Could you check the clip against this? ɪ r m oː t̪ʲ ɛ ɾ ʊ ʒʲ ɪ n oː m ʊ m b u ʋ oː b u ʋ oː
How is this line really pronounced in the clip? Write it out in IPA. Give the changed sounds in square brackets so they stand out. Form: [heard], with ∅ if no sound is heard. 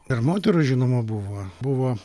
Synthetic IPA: ɪ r m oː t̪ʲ ɛ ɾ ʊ ʒʲ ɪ n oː m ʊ [∅] b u ʋ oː b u ʋ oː